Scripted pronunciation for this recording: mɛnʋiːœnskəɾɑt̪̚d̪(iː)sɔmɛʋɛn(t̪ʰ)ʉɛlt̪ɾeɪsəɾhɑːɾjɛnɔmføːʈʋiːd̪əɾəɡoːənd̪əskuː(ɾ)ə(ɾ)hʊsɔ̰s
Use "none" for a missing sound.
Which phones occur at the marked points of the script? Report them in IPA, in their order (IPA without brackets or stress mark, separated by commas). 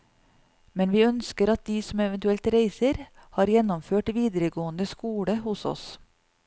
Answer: iː, t̪, ɽ, none